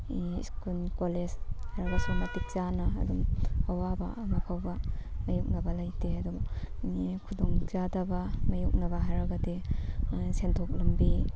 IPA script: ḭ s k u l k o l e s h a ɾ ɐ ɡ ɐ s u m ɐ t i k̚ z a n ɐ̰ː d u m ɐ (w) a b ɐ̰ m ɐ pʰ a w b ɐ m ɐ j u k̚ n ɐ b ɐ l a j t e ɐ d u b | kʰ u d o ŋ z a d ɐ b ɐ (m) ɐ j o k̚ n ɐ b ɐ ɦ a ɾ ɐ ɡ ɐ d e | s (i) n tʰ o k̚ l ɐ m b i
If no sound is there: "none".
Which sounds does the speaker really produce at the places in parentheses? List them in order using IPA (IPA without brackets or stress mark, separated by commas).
w, m, e